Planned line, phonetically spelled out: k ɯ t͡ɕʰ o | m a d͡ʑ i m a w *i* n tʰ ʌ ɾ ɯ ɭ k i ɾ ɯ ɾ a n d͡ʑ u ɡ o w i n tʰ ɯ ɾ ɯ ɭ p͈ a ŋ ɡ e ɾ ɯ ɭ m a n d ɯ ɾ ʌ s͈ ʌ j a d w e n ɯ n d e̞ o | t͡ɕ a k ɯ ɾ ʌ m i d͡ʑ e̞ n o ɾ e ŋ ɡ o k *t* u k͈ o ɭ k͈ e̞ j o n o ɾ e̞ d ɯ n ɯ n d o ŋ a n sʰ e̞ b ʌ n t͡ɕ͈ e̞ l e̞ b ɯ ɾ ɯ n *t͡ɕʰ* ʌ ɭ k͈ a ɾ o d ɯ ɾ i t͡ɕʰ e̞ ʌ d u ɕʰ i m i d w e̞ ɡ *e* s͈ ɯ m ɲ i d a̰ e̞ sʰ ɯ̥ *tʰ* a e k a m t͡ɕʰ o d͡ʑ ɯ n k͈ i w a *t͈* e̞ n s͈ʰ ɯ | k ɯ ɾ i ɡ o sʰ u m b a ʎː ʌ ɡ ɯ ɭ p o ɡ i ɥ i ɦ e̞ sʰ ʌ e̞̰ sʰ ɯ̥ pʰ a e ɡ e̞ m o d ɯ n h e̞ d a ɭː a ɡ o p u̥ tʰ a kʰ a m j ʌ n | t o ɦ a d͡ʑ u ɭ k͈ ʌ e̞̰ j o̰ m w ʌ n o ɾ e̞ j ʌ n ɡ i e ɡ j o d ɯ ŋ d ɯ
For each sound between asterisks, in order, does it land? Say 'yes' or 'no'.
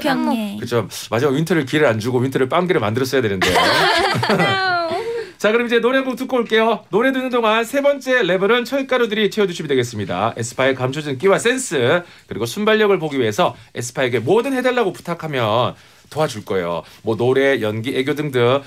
yes, yes, yes, yes, no, no

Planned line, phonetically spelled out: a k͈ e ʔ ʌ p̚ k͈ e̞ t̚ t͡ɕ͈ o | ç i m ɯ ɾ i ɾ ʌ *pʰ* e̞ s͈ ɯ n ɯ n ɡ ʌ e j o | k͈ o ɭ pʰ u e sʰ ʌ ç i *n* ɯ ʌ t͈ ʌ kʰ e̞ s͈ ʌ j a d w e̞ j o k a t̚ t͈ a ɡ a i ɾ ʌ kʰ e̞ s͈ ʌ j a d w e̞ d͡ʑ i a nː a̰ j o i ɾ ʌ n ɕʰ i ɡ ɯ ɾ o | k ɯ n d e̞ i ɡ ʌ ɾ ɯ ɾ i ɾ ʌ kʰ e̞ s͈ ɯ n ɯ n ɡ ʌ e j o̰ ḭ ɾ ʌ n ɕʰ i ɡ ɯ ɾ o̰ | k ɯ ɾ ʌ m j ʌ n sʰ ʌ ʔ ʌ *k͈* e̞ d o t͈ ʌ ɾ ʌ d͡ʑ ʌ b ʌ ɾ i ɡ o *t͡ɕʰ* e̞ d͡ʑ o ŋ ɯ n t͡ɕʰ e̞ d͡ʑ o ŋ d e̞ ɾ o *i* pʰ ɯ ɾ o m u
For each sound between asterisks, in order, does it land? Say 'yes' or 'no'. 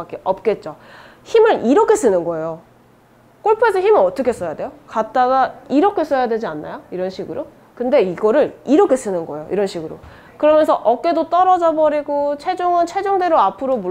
no, no, yes, yes, no

